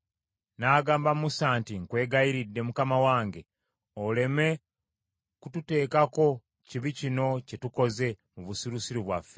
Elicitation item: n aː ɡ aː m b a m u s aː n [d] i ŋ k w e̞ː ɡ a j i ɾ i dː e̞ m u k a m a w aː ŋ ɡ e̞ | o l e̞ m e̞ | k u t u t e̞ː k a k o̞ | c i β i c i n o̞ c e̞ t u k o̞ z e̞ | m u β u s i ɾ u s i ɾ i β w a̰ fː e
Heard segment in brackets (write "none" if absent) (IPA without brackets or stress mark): t